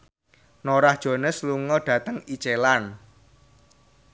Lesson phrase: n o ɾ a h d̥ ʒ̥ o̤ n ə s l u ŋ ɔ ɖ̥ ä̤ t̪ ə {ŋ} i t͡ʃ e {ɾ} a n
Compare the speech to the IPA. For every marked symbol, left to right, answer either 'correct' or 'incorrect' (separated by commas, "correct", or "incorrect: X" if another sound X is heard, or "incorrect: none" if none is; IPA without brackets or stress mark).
correct, incorrect: l